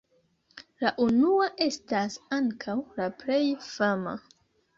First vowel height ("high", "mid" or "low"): low